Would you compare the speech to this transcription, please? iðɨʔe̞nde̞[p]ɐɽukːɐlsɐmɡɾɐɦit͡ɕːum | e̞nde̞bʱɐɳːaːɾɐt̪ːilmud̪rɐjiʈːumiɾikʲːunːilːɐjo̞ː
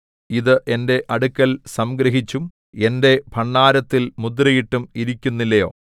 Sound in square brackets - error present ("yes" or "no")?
yes